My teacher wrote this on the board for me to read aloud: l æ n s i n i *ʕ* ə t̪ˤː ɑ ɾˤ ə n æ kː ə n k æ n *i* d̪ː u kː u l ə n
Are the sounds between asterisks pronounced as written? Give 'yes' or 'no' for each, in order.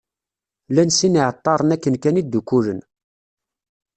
yes, yes

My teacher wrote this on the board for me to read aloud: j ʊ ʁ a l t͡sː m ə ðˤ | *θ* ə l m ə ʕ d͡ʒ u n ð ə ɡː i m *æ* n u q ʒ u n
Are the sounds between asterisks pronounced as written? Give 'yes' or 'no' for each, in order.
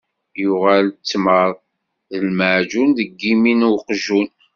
no, no

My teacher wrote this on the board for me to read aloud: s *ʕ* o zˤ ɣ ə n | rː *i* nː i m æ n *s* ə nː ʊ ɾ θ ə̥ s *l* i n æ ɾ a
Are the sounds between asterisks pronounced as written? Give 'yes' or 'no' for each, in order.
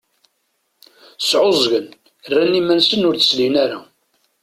yes, no, yes, yes

